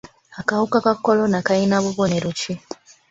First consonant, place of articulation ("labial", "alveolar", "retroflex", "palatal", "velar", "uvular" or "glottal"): velar